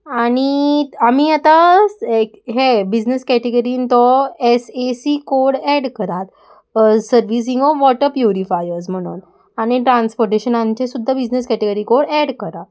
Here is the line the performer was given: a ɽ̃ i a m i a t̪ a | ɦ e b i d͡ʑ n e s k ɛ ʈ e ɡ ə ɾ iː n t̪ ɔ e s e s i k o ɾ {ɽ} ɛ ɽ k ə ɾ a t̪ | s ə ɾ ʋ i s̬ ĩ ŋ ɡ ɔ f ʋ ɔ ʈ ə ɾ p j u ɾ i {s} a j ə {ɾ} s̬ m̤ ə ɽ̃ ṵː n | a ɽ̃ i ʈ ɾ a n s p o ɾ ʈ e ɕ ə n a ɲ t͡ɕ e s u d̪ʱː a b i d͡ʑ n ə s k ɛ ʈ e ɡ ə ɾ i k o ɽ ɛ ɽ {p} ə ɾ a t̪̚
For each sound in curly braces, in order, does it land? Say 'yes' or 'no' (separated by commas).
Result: yes, no, yes, no